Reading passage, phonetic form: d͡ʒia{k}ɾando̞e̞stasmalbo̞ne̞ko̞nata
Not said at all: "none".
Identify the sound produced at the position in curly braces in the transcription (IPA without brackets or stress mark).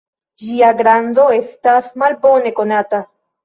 ɡ